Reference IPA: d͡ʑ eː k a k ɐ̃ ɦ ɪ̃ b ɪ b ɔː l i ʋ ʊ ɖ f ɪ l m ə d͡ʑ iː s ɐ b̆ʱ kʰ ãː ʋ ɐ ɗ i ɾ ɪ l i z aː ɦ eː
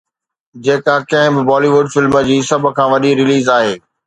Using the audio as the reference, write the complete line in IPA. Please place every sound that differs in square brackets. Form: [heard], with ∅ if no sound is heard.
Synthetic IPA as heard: d͡ʑ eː k a k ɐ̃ ɦ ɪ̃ b ɪ b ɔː l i ʋ ʊ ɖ f ɪ l m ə d͡ʑ iː s ɐ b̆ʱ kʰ ãː ʋ ɐ ɗ i ɾ ɪ l [iː] z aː ɦ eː